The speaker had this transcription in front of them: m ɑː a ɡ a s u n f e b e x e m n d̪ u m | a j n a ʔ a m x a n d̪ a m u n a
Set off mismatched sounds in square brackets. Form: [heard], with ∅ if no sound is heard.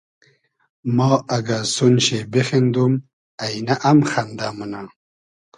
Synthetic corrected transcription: m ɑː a ɡ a s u n [ɕ] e b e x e [∅] n d̪ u m | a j n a ʔ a m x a n d̪ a m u n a